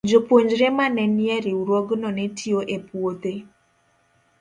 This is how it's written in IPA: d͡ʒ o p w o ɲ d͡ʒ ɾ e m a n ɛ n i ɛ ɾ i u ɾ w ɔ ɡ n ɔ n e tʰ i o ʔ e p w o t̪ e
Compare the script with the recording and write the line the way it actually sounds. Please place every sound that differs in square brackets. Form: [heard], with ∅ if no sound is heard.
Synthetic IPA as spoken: d͡ʒ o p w o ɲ d͡ʒ ɾ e m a n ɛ n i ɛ ɾ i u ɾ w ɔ ɡ n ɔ n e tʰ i o ʔ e p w o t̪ e